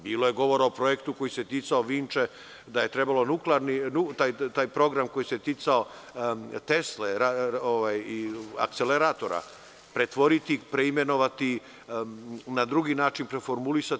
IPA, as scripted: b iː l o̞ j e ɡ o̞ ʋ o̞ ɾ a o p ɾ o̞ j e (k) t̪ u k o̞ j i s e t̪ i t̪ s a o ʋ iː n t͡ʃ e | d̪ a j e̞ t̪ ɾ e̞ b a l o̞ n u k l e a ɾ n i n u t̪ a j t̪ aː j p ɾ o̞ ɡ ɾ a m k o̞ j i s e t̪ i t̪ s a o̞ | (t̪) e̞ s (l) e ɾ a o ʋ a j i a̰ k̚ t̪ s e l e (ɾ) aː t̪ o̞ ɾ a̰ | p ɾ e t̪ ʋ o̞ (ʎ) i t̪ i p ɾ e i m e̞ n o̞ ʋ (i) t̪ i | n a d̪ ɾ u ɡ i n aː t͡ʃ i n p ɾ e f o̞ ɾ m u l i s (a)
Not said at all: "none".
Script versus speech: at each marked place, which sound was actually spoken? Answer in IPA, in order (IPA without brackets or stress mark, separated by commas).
k, t̪, l, ɾ, ɾ, a, a